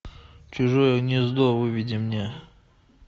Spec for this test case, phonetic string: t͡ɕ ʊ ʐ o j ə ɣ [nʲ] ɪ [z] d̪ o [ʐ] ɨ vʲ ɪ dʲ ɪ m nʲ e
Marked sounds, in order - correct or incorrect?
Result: correct, correct, incorrect: v

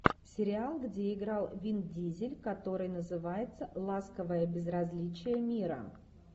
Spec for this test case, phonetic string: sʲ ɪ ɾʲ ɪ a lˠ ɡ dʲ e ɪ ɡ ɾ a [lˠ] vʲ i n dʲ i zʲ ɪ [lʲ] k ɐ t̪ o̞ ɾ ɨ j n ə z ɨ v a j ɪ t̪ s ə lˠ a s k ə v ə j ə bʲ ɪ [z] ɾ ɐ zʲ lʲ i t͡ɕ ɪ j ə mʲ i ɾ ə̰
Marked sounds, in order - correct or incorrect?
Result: correct, correct, correct

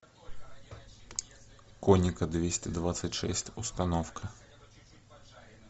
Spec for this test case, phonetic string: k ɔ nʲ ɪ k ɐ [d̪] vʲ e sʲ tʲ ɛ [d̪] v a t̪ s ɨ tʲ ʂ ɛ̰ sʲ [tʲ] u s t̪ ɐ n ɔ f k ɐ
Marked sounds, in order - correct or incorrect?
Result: correct, correct, correct

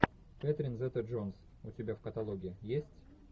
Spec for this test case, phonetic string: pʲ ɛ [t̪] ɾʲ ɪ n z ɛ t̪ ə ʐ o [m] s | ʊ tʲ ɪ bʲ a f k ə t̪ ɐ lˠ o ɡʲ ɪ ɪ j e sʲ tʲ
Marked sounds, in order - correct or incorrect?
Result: correct, incorrect: n

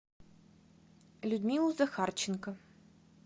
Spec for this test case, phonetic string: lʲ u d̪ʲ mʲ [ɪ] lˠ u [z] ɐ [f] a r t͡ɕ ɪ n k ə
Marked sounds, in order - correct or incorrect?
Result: incorrect: i, correct, incorrect: x

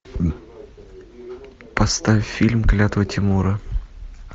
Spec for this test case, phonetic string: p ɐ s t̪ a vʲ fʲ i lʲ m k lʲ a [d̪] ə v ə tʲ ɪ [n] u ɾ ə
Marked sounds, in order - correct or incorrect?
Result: incorrect: t̪, incorrect: m

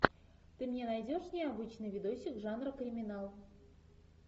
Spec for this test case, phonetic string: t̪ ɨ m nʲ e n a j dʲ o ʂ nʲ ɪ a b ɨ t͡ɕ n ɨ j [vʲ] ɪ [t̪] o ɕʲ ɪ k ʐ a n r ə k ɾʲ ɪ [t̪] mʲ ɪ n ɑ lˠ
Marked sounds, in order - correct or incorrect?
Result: correct, incorrect: d̪, incorrect: none

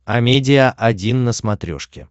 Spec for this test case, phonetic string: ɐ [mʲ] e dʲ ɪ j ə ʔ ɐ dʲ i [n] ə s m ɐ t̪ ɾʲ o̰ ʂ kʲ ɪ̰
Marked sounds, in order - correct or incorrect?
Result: correct, incorrect: nː

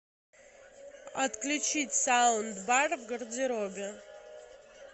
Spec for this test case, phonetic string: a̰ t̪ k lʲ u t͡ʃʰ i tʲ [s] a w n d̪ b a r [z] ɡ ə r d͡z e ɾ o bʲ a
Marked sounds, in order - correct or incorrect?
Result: correct, incorrect: v

